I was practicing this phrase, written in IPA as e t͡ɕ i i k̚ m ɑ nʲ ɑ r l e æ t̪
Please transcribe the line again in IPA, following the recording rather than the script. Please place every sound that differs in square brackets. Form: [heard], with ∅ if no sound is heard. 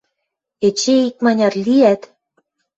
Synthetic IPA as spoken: e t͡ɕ [e] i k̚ m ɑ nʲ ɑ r l [i] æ t̪